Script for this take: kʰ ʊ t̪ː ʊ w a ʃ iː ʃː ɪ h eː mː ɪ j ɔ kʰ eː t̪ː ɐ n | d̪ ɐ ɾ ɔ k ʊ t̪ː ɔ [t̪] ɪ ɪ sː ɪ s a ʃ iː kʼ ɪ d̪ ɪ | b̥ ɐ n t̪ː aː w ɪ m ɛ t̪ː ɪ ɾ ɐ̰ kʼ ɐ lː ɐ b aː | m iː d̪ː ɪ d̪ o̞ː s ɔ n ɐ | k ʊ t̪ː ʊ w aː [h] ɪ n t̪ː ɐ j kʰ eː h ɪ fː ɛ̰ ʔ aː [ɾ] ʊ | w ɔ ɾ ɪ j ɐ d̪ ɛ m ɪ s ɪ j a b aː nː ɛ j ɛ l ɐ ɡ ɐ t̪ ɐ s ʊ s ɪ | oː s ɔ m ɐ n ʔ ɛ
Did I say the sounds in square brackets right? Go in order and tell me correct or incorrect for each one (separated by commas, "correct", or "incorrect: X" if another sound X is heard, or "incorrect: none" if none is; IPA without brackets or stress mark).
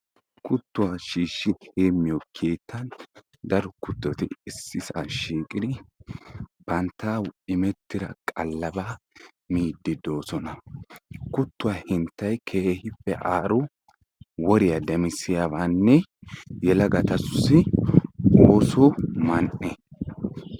correct, correct, correct